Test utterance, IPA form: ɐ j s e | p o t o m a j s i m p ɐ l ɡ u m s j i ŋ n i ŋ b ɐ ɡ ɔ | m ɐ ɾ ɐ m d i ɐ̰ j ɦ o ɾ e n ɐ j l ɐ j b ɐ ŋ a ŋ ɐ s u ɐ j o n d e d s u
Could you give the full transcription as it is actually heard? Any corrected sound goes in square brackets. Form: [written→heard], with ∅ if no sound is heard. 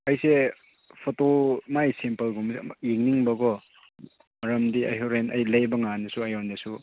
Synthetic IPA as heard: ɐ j s e | [p→pʰ] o t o m a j s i m p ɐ l ɡ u m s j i ŋ n i ŋ b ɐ ɡ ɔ | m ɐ ɾ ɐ m d i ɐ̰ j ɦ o ɾ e n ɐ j l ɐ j b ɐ ŋ a [ŋ→n] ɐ s u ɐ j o n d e [d→∅] s u

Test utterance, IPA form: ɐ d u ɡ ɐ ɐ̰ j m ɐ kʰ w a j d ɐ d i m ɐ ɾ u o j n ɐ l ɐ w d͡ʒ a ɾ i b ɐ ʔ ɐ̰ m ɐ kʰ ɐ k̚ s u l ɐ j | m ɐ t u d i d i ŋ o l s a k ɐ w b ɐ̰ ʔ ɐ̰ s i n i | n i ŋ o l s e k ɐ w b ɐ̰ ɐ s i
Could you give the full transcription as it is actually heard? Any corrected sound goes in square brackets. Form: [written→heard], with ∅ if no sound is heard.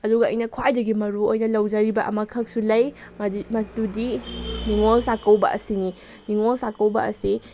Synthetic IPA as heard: ɐ d u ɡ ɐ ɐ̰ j [m→n] ɐ kʰ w a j d ɐ [d→ɡ] i m ɐ ɾ u o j n ɐ l ɐ w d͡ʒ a ɾ i b ɐ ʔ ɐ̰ m ɐ kʰ ɐ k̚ s u l ɐ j | m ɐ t u d i [d→n] i ŋ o l s a k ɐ w b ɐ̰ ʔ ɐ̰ s i n i | n i ŋ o l s [e→a] k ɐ w b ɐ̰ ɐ s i

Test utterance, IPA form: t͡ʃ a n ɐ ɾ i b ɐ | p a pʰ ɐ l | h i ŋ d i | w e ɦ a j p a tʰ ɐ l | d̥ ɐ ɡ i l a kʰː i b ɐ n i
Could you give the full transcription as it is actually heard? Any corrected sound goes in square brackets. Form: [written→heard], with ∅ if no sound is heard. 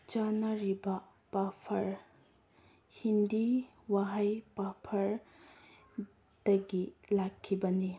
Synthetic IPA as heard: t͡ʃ a n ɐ ɾ i b ɐ | p a pʰ ɐ [l→ɾ] | h i [ŋ→n] d i | w [e→a] ɦ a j p a [tʰ→pʰ] ɐ [l→ɾ] | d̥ ɐ ɡ i l a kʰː i b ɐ n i

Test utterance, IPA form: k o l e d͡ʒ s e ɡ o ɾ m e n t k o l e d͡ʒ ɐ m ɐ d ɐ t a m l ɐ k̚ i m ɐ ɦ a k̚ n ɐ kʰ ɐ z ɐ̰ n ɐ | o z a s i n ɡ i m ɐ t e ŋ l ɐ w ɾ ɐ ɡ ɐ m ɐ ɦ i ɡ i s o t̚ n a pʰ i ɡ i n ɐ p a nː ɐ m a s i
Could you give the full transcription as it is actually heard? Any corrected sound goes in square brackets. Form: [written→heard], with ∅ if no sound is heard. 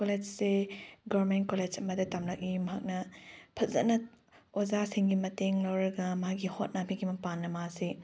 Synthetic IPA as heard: k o l e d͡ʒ s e ɡ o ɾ m e n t k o l e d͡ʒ ɐ m ɐ d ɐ t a m l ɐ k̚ i m ɐ ɦ a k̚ n ɐ [kʰ→pʰ] ɐ z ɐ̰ n ɐ | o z a s i [n→ŋ] ɡ i m ɐ t e ŋ l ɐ w ɾ ɐ ɡ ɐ m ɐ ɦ [i→a] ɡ i [s→h] o t̚ n a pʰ i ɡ i [n→m] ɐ p a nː ɐ m a s i

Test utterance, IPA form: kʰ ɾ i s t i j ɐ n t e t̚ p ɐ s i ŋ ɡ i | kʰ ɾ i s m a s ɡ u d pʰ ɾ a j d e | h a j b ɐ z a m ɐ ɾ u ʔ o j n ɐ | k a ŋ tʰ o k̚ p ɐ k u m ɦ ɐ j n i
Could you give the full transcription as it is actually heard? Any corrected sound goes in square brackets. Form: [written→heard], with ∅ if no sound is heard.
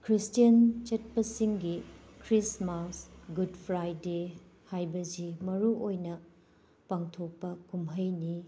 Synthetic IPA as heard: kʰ ɾ i s t i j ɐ n [t→t͡ʃ] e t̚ p ɐ s i ŋ ɡ i | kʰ ɾ i s m a s ɡ u d pʰ ɾ a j d e | h a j b ɐ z [a→i] m ɐ ɾ u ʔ o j n ɐ | [k→p] a ŋ tʰ o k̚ p ɐ k u m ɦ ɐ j n i

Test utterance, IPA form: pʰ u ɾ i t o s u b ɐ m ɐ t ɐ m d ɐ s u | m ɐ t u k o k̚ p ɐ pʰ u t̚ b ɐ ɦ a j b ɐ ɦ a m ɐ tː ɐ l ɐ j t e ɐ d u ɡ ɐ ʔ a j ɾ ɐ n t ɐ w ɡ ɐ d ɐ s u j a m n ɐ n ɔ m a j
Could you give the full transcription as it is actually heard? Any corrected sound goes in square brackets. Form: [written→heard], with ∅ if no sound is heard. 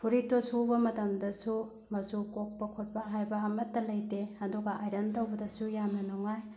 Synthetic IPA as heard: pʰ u ɾ i t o s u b ɐ m ɐ t ɐ m d ɐ s u | m ɐ [t→s] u k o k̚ p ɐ [pʰ→kʰ] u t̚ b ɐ ɦ a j b ɐ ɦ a m ɐ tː ɐ l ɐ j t e ɐ d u ɡ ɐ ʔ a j ɾ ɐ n t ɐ w [ɡ→b] ɐ d ɐ s u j a m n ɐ n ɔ [m→ŋ] a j

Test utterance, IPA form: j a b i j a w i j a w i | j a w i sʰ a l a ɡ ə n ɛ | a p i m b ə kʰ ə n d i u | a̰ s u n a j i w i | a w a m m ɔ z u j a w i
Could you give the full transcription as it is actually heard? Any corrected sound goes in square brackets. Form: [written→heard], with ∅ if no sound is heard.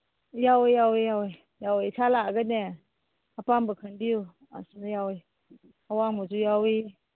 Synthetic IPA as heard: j a [b→w] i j a w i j a w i | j a w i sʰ a l a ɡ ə n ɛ | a p [i→a] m b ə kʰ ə n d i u | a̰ s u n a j [i→a] w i | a w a [m→ŋ] m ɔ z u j a w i

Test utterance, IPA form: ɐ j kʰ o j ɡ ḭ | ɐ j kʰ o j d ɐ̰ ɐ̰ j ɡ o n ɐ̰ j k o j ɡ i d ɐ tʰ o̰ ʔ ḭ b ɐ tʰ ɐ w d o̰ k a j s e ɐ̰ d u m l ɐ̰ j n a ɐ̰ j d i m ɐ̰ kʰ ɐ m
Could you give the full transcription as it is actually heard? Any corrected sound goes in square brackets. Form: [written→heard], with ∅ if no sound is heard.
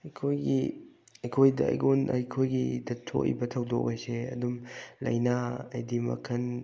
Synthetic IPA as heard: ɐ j kʰ o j ɡ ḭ | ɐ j kʰ o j d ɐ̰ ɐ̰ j ɡ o n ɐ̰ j [k→kʰ] o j ɡ i d ɐ tʰ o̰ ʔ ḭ b ɐ tʰ ɐ w d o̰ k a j s e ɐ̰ d u m l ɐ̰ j n a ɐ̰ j d i m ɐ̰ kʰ ɐ [m→n]

